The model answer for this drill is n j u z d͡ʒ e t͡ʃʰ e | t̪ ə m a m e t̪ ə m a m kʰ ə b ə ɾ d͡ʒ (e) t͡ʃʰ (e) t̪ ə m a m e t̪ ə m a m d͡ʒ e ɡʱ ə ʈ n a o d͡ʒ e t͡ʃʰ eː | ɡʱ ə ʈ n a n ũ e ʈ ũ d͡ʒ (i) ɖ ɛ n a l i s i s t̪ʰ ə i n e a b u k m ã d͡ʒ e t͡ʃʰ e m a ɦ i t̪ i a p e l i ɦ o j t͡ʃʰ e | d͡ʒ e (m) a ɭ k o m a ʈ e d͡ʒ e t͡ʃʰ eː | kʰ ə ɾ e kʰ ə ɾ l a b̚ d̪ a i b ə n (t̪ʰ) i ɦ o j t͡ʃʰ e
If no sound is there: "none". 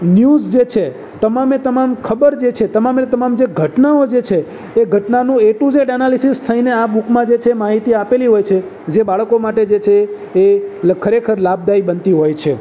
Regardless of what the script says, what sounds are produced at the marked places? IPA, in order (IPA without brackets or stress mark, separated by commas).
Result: e, e, e, b, t̪